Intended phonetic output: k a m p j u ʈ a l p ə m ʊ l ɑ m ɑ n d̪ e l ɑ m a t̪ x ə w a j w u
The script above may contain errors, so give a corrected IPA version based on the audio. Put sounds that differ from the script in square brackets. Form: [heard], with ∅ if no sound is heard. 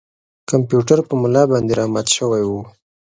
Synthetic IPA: k a m p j u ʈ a [ɾ] p ə m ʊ l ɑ [b] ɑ n d̪ e [ɾ] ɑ m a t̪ [ʃ] ə w a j w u